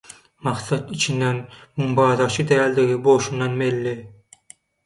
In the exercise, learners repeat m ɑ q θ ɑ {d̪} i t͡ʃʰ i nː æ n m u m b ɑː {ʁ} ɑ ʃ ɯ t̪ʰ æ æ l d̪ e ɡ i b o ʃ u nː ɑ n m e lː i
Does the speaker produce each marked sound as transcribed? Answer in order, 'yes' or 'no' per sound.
no, no

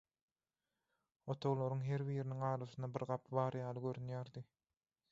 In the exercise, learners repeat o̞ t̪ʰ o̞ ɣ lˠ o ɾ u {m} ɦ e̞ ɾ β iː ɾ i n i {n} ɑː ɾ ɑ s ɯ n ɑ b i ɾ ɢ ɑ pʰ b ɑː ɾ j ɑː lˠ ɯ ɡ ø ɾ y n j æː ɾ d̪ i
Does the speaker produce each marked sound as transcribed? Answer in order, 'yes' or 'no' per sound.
no, no

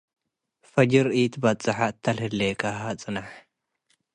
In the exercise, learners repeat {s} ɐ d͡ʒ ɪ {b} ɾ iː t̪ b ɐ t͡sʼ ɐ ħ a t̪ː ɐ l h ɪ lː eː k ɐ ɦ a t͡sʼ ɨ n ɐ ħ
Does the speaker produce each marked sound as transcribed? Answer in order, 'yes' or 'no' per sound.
no, no

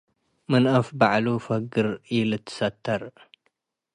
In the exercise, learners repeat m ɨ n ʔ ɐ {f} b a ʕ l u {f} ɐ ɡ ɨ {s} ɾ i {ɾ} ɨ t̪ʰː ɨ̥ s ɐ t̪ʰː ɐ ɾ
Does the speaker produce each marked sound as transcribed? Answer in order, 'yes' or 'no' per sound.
yes, yes, no, no

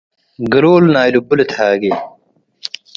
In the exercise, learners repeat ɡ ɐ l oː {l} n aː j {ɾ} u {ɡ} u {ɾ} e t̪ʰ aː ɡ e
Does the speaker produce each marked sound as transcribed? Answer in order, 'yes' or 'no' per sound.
yes, no, no, no

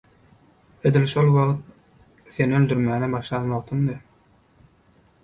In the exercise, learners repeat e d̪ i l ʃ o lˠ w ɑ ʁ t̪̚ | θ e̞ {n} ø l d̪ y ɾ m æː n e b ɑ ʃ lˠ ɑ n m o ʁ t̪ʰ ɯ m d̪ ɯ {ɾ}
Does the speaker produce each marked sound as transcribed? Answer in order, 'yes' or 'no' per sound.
yes, no

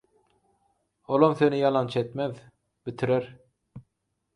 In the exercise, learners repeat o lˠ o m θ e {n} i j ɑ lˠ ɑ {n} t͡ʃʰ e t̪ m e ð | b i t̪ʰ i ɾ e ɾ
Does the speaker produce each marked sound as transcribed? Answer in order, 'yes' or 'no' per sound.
yes, yes

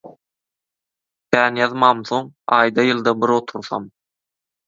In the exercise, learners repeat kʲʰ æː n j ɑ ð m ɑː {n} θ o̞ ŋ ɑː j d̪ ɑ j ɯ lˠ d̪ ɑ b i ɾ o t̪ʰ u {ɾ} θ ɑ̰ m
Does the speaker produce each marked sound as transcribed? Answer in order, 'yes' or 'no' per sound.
no, yes

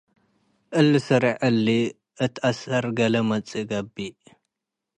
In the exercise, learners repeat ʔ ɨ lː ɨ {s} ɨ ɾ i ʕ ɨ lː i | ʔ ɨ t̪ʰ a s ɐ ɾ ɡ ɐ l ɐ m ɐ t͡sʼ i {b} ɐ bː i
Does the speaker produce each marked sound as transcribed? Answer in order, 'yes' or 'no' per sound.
yes, no

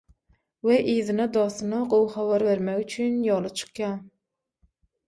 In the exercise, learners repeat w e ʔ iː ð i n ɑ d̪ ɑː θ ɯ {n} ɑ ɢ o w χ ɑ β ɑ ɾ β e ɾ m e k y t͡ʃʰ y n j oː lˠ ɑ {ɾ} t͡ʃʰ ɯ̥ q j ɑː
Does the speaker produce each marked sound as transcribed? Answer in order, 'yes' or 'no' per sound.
yes, no

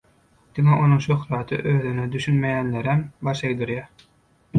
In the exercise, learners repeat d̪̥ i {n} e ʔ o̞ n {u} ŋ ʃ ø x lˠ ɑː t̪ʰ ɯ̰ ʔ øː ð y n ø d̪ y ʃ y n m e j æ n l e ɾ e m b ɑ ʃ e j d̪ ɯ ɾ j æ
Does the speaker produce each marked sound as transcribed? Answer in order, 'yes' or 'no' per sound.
no, yes

